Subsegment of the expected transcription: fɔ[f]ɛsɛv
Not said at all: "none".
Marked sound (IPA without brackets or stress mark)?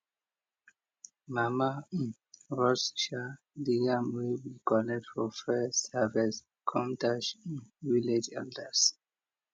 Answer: f